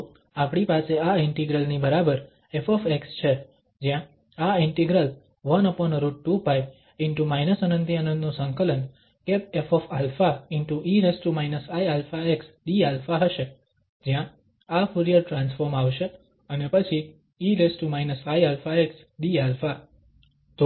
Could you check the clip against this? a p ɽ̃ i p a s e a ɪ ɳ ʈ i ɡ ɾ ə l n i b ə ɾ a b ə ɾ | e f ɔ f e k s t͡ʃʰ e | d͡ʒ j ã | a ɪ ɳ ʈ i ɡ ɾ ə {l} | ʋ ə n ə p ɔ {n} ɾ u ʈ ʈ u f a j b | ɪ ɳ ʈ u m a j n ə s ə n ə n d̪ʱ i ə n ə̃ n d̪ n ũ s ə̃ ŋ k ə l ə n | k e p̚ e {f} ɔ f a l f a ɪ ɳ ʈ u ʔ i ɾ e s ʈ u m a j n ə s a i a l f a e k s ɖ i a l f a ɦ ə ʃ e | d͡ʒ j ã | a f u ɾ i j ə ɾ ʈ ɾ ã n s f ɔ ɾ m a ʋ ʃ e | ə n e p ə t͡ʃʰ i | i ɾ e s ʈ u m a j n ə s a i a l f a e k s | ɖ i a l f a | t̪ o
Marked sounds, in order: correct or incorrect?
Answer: correct, correct, correct

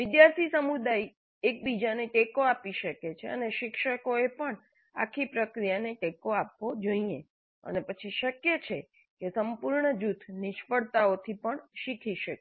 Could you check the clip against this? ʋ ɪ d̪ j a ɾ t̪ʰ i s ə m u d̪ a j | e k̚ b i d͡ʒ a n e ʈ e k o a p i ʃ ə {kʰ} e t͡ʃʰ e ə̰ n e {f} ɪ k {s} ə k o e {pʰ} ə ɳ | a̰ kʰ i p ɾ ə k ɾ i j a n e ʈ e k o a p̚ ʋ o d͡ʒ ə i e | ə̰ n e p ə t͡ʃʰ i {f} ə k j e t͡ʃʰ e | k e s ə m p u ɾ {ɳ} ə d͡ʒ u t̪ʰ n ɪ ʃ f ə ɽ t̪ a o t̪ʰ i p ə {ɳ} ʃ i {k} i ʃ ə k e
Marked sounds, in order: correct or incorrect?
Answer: incorrect, incorrect, incorrect, incorrect, incorrect, correct, correct, incorrect

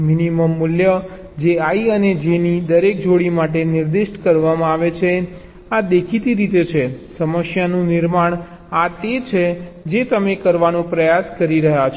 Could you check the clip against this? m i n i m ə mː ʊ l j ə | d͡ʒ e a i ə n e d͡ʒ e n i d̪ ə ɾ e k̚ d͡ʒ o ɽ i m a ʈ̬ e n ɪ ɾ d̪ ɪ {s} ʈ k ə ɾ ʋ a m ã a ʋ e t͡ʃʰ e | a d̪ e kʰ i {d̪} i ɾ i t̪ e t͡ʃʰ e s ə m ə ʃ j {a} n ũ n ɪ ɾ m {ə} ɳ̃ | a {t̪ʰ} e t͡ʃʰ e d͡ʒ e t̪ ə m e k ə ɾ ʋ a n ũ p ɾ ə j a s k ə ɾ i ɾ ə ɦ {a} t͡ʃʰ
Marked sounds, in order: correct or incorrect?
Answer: incorrect, incorrect, correct, incorrect, incorrect, correct

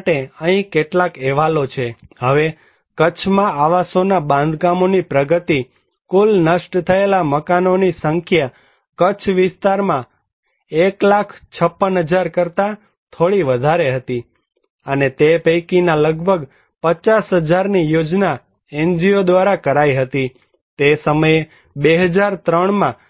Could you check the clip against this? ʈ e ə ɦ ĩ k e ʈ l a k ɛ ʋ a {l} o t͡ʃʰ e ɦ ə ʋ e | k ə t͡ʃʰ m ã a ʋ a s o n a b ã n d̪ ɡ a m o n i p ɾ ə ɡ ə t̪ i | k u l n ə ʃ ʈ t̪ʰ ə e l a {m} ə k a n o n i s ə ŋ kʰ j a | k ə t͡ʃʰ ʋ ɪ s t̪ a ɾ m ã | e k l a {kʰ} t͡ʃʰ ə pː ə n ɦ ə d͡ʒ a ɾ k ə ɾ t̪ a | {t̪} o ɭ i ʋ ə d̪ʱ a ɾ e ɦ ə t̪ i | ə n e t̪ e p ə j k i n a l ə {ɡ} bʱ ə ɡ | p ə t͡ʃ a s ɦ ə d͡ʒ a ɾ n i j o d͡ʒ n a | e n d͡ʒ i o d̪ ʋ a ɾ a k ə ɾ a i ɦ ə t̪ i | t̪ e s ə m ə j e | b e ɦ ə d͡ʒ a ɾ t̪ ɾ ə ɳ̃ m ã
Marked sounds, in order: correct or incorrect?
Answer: correct, correct, correct, incorrect, correct

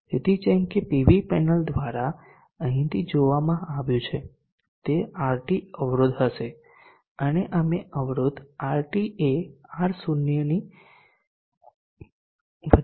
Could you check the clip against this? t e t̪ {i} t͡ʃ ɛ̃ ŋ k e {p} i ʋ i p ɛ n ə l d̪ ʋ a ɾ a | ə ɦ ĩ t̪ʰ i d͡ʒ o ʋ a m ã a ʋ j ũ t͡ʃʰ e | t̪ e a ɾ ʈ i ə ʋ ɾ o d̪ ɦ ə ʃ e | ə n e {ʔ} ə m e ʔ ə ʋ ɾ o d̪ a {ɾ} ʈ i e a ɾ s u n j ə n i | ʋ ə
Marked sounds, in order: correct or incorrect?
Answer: correct, correct, correct, correct

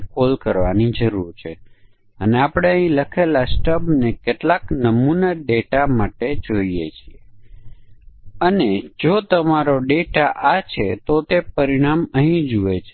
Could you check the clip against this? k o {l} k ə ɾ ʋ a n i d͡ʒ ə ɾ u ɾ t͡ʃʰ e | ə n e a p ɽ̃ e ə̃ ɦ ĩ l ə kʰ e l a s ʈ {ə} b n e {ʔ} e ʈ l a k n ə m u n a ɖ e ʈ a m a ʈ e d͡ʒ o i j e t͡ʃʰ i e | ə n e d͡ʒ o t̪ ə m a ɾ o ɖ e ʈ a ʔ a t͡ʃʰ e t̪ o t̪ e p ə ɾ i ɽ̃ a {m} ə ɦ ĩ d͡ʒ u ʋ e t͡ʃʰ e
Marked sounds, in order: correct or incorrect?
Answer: correct, correct, incorrect, correct

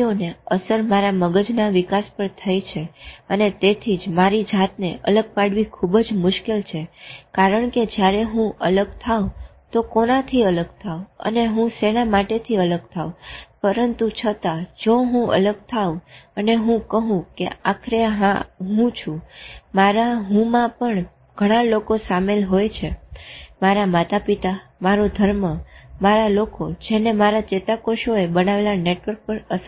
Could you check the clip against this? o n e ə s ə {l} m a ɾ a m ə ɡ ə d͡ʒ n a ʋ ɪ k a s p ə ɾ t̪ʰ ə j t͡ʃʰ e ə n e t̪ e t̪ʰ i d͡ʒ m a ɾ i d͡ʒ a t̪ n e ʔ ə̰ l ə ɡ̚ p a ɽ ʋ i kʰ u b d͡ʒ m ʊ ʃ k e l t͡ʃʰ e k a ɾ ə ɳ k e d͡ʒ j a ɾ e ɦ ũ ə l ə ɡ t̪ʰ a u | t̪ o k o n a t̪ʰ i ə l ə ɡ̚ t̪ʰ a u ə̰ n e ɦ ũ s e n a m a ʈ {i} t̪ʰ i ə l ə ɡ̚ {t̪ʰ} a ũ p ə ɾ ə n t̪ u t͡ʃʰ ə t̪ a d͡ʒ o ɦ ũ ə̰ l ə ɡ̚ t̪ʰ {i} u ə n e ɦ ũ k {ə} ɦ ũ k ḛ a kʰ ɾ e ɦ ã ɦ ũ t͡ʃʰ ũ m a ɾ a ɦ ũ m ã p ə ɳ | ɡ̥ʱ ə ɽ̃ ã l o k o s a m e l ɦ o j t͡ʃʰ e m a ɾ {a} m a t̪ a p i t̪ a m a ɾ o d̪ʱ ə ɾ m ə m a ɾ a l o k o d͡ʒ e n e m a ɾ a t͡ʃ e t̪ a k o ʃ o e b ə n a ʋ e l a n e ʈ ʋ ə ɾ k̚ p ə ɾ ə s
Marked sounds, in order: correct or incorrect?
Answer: incorrect, incorrect, correct, incorrect, correct, correct

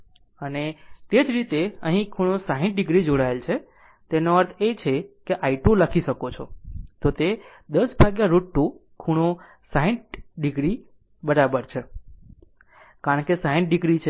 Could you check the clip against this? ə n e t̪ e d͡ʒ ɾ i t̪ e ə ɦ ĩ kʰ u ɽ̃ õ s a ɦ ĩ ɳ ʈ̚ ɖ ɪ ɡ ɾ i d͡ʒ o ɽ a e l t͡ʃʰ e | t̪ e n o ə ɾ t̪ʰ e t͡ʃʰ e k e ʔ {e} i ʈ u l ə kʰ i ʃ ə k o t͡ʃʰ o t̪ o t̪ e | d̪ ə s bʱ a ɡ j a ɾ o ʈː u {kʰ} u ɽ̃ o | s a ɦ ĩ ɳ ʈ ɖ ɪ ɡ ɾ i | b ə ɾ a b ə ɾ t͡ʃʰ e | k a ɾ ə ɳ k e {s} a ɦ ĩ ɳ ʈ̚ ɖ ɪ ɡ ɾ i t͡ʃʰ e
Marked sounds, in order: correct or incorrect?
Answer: incorrect, correct, correct

